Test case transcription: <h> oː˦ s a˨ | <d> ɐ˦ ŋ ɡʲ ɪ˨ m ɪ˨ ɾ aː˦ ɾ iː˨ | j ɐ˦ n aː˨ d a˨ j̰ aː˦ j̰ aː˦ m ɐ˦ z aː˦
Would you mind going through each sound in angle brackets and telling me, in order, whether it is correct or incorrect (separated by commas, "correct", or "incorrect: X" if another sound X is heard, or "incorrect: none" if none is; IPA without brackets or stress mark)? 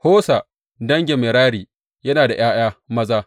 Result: correct, correct